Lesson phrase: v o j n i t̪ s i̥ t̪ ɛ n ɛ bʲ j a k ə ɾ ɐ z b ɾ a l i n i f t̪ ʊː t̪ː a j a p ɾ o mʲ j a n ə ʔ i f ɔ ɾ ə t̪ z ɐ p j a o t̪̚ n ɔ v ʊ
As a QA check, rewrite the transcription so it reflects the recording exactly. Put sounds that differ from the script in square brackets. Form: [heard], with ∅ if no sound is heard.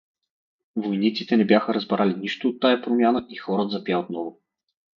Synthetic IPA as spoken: v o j n i t̪ s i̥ t̪ ɛ n ɛ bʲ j a [x] ə ɾ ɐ z b ɾ a l i n i [ʃ] t̪ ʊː t̪ː a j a p ɾ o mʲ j a n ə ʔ i [x] ɔ ɾ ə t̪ z ɐ p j a o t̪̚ n ɔ v ʊ